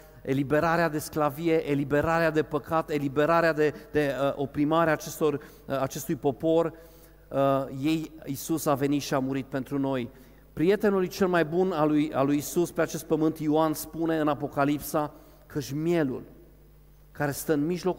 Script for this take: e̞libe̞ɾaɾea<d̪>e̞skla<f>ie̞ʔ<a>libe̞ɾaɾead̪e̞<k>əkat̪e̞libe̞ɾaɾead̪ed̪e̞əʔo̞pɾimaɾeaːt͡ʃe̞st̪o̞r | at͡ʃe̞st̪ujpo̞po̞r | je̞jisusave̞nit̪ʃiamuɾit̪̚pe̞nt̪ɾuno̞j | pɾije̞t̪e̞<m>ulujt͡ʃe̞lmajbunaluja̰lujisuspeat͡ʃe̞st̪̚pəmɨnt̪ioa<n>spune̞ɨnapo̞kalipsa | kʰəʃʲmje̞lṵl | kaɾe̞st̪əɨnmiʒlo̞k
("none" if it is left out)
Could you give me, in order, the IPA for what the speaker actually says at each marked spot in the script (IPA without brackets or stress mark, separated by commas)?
d̪, v, e, p, n, n